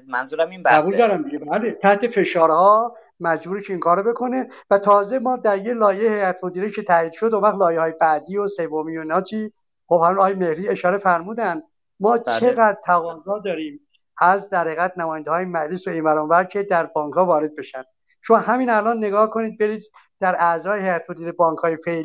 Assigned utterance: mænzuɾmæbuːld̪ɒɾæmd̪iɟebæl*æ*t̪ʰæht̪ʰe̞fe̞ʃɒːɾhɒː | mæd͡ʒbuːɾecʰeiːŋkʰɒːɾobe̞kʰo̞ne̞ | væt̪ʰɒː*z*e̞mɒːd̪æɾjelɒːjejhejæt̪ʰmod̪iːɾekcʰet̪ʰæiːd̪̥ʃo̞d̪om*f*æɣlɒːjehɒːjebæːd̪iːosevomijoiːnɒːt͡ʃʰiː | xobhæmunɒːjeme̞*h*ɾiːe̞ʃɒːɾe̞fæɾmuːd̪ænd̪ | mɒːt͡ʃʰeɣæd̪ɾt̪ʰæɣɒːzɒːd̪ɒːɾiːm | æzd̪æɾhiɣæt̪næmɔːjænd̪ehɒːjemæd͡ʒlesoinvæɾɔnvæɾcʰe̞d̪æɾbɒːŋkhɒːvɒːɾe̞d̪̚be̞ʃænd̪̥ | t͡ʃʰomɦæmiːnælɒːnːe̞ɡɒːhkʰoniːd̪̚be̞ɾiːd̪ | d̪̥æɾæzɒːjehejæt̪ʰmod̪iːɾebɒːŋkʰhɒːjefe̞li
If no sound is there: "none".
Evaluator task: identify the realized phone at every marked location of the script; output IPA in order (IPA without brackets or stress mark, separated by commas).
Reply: e, z, v, h